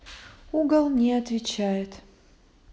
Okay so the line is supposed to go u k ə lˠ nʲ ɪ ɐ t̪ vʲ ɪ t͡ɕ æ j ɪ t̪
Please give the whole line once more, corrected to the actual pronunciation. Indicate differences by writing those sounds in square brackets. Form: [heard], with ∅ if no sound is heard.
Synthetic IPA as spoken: u [ɡ] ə lˠ nʲ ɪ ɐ t̪ vʲ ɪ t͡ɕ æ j ɪ t̪